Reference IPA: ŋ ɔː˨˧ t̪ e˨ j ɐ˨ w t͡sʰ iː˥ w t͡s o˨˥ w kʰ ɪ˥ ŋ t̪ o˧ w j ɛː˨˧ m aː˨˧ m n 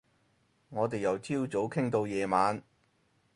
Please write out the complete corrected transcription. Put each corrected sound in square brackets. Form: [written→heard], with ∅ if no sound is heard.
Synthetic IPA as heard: ŋ ɔː˨˧ t̪ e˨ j ɐ˨ w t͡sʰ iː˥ w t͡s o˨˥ w kʰ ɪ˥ ŋ t̪ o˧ w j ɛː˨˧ m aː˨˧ [m→∅] n